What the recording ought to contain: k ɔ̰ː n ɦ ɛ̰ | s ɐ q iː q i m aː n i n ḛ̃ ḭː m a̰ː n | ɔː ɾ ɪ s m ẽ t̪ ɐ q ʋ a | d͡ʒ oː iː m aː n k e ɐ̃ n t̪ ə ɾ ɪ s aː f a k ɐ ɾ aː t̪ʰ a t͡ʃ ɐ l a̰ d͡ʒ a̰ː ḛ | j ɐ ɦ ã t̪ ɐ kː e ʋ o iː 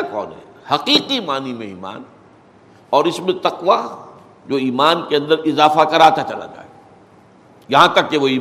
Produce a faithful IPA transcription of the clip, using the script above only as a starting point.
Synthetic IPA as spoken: k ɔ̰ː n ɦ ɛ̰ | h ɐ q iː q i m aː n i m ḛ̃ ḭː m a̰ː n | ɔː ɾ ɪ s m ẽ t̪ ɐ q ʋ a | d͡ʒ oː iː m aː n k e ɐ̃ n d̪ ə ɾ ɪ z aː f a k ɐ ɾ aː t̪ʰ a t͡ʃ ɐ l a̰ d͡ʒ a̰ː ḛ | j ɐ ɦ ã t̪ ɐ kː e ʋ o iː